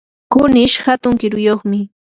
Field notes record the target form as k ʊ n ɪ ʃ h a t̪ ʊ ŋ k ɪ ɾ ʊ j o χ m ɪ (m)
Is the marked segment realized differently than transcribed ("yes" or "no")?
yes